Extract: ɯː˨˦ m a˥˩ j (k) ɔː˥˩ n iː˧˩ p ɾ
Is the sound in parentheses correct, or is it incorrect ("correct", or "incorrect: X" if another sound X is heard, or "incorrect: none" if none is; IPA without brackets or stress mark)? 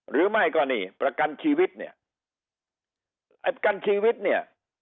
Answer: correct